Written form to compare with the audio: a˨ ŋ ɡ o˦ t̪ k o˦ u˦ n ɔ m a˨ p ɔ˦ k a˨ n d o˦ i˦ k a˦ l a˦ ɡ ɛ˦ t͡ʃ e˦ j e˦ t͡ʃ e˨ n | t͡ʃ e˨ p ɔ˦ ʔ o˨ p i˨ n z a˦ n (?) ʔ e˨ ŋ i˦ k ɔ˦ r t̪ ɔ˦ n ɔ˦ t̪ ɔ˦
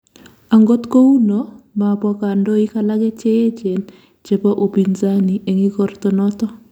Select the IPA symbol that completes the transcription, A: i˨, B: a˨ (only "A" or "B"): A